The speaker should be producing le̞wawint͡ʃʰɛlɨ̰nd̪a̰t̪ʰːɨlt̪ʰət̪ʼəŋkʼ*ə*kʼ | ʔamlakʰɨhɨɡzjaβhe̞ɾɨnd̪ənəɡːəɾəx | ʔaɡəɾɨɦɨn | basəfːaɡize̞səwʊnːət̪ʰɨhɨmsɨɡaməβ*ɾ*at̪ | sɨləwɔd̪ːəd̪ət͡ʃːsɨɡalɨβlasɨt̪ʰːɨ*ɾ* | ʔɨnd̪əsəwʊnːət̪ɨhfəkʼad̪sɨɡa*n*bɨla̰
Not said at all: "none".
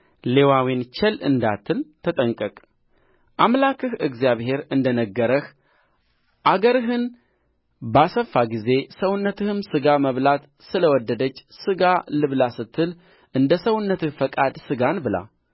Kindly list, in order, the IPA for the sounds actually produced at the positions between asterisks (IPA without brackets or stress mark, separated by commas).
ə, l, l, n